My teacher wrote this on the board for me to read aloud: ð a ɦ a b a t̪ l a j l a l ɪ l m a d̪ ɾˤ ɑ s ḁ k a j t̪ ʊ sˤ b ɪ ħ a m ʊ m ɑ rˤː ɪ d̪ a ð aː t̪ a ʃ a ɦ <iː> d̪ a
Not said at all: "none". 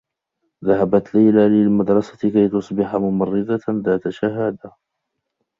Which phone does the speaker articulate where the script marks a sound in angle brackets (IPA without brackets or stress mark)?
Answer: aː